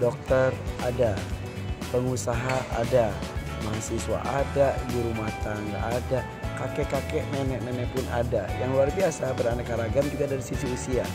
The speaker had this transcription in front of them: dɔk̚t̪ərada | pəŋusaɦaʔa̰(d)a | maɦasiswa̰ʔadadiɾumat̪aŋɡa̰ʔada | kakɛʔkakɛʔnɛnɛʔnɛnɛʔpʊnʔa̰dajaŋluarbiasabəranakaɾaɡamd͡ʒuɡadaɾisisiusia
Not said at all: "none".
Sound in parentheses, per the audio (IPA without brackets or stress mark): d